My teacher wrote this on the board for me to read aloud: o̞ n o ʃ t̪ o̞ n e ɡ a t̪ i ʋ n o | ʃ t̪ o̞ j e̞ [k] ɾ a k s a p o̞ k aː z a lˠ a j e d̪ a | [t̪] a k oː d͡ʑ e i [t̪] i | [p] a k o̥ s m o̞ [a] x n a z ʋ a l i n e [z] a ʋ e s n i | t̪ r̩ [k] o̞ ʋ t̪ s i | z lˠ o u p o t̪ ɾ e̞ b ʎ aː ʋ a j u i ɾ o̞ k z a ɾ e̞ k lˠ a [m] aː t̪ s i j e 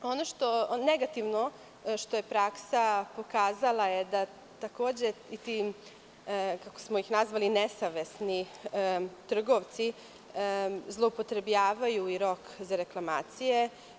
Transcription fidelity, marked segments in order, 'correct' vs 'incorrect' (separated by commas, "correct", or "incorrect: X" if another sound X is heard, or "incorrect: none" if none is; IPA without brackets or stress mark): incorrect: p, correct, correct, incorrect: k, incorrect: i, incorrect: s, incorrect: ɡ, correct